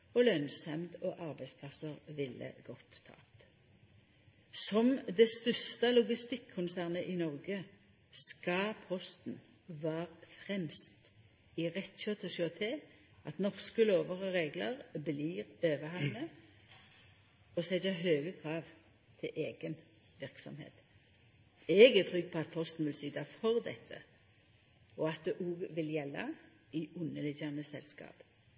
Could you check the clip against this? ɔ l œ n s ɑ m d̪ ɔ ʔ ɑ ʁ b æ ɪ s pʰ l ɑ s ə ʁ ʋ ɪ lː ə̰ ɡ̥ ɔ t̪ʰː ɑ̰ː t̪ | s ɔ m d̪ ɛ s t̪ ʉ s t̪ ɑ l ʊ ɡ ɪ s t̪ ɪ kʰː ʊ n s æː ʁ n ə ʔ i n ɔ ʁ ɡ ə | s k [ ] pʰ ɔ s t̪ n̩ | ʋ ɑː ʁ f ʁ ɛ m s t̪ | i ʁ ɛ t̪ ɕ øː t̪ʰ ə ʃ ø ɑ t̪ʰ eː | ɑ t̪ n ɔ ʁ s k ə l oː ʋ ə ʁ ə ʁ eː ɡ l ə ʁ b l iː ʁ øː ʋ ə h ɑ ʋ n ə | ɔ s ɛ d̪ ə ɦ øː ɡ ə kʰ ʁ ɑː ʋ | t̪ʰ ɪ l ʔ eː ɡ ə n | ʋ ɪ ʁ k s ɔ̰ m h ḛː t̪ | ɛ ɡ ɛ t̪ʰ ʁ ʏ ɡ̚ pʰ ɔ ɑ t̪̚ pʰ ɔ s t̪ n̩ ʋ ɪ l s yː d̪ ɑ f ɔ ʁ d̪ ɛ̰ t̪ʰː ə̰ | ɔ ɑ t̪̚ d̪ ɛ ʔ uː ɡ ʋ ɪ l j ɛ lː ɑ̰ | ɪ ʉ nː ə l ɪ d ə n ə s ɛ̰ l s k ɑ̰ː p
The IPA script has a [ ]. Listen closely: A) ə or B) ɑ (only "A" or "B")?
B